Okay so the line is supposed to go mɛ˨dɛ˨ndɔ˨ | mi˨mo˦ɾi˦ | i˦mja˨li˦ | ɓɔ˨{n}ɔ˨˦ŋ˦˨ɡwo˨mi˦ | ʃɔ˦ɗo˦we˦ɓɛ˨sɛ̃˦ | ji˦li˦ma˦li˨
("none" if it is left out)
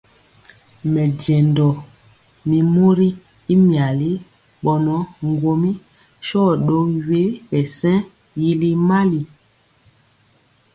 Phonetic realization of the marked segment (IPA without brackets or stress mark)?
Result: n